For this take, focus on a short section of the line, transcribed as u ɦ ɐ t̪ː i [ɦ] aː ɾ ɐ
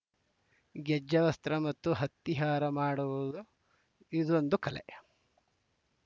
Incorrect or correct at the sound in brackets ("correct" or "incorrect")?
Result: correct